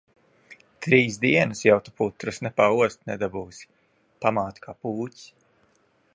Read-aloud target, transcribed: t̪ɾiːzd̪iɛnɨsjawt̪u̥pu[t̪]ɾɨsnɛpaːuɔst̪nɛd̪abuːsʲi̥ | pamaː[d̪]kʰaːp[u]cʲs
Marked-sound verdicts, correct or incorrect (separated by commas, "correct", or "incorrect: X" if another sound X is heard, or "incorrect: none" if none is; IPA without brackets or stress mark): correct, incorrect: t̪, incorrect: uː